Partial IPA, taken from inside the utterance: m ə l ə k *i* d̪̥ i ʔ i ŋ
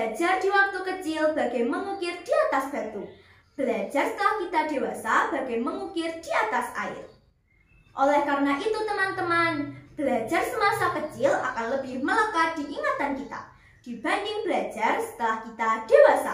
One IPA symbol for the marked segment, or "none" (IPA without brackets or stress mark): a